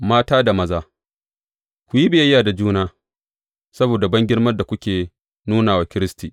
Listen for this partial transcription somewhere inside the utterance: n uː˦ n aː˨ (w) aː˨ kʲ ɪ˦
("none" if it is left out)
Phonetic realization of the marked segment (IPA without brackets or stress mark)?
w